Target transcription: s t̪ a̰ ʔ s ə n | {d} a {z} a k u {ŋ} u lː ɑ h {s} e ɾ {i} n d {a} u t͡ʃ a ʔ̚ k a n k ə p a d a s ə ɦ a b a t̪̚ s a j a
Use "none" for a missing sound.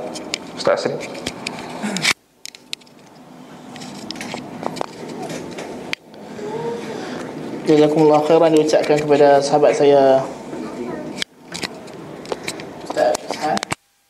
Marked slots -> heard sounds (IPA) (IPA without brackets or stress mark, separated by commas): d͡ʒ, z, m, x, a, i